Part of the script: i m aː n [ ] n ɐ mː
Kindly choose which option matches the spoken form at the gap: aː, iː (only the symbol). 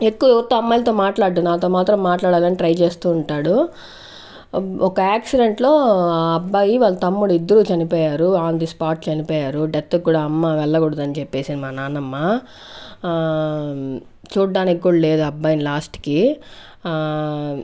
aː